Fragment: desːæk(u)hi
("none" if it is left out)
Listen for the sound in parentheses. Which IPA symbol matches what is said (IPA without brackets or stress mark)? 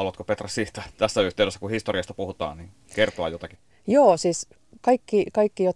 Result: u